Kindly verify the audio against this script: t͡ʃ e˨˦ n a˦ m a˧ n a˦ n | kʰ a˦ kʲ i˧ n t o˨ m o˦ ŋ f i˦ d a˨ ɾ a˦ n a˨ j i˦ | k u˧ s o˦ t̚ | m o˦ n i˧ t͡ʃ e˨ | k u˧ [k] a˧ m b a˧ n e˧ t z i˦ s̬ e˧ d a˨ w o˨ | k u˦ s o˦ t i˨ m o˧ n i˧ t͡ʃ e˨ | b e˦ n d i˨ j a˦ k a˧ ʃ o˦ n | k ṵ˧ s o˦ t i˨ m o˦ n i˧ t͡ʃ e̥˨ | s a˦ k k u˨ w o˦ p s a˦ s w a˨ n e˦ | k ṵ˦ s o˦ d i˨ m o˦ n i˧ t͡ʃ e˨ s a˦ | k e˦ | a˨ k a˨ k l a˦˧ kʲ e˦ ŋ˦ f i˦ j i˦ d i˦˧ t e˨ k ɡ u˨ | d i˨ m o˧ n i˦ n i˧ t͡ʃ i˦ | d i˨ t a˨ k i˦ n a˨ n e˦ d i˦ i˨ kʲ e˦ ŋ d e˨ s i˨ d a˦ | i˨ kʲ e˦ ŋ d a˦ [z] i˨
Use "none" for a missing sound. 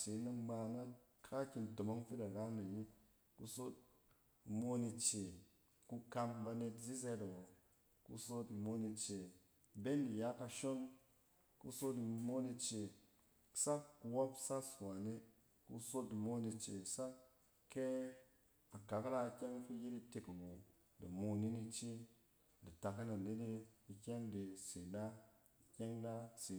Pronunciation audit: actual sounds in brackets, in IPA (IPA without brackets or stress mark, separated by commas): k, s